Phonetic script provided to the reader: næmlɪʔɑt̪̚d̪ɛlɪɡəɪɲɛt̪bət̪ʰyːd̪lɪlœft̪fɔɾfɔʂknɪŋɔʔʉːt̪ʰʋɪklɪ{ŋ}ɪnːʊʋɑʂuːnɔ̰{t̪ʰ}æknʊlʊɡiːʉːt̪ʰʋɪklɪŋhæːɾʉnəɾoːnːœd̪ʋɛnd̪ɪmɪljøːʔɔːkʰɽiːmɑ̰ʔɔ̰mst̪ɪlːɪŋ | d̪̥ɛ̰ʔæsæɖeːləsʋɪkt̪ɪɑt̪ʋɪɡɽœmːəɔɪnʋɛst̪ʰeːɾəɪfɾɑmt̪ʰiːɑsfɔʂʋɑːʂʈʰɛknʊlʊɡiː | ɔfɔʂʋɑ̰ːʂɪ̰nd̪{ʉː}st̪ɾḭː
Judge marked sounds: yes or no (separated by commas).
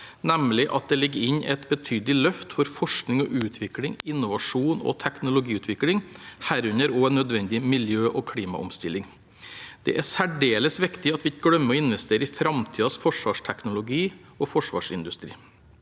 yes, yes, no